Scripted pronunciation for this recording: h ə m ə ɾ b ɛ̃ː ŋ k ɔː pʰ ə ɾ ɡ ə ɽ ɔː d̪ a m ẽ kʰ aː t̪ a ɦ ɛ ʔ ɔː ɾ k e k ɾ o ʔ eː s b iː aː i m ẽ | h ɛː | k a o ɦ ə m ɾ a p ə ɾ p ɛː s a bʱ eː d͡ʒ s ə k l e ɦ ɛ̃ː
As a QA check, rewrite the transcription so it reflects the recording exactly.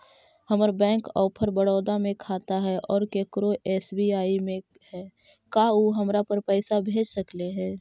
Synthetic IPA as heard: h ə m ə ɾ b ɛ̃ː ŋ k ɔː pʰ ə ɾ b ə ɽ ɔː d̪ a m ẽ kʰ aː t̪ a ɦ ɛ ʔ ɔː ɾ k e k ɾ o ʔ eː s b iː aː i m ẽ | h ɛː | k a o ɦ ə m ɾ a p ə ɾ p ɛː s a bʱ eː d͡ʒ s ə k l e ɦ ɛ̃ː